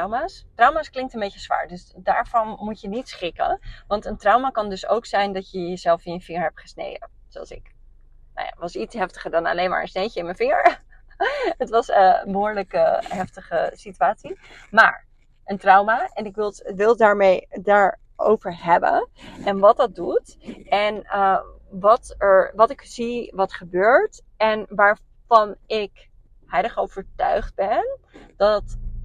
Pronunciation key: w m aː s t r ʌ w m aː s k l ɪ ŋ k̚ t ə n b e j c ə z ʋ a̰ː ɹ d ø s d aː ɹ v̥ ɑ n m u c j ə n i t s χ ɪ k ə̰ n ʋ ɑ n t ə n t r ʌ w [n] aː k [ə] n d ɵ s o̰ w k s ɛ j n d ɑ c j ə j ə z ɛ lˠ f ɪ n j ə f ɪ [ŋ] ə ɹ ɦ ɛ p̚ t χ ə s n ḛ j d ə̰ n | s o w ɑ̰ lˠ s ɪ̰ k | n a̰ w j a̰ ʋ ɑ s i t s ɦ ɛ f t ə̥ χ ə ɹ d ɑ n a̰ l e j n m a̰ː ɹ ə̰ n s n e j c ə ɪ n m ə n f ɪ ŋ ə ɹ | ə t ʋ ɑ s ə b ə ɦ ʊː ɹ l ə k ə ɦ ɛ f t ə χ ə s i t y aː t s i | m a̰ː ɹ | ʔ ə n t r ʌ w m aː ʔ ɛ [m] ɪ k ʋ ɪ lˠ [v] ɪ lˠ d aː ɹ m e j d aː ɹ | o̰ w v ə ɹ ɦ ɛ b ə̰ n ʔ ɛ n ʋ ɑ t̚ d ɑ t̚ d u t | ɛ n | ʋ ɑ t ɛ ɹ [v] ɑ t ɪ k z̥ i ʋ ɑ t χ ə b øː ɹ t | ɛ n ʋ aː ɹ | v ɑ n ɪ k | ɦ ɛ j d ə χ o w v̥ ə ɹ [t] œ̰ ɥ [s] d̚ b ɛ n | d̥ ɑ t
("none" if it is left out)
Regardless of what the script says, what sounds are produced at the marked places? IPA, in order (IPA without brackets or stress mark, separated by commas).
m, ɑ, ŋ, n, ʋ, ʋ, t, χ